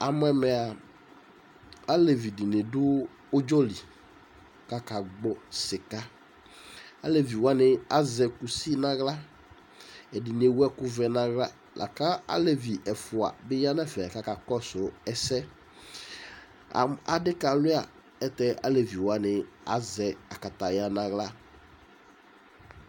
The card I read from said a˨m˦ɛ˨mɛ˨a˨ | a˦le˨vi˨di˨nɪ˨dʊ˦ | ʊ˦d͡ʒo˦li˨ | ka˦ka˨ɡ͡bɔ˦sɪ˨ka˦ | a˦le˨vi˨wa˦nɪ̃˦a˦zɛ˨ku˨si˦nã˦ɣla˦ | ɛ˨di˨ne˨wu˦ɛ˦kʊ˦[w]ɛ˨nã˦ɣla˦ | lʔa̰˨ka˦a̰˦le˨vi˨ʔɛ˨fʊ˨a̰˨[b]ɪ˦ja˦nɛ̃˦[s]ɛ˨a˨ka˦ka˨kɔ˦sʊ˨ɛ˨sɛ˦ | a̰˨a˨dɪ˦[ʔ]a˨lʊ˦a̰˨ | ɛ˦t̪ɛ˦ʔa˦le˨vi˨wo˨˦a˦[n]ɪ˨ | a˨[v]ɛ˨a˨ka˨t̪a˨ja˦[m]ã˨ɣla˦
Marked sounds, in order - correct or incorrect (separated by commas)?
incorrect, correct, incorrect, incorrect, correct, incorrect, incorrect